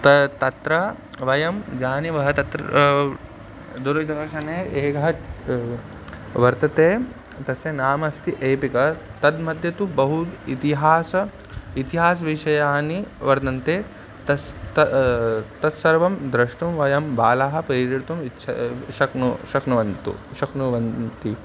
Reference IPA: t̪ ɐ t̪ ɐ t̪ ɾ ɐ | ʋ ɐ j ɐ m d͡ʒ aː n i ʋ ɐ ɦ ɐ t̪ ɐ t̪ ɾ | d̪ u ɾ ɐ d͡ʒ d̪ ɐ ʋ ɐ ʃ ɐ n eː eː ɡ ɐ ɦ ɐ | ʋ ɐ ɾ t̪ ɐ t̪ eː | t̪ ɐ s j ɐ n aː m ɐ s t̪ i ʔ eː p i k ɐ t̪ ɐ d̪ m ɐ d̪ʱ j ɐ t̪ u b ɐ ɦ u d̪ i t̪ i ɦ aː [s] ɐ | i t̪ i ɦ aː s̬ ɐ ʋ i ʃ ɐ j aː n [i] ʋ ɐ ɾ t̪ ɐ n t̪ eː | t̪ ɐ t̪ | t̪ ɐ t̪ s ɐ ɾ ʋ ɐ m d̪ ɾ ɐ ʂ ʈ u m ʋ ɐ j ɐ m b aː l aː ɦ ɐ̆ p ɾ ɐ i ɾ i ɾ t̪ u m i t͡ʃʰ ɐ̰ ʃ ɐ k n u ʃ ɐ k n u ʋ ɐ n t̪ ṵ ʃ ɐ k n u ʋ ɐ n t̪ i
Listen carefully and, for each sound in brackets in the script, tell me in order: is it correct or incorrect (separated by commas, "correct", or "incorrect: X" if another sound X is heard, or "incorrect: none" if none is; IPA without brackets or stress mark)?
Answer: correct, correct